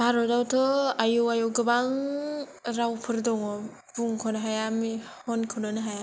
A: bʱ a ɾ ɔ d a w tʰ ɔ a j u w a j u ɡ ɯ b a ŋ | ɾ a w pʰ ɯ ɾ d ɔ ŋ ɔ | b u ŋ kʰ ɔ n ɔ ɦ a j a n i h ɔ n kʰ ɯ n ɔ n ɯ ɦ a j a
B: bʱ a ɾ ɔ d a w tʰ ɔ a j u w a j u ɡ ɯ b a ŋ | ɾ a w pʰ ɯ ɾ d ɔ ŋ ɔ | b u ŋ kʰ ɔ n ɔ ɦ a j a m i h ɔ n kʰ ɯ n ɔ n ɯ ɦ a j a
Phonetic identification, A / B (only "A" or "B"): B